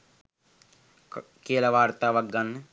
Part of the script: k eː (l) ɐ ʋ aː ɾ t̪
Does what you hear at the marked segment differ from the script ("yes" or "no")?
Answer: no